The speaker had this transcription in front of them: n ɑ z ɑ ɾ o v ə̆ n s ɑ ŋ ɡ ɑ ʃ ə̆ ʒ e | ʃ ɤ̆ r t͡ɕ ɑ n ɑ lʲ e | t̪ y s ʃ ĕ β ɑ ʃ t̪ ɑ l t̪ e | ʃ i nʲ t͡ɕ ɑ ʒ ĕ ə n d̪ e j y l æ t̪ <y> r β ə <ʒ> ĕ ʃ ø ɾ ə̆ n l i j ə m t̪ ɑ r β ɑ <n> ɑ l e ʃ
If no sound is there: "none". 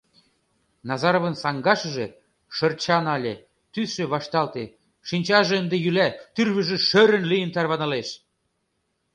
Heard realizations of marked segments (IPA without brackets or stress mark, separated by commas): y, ʒ, n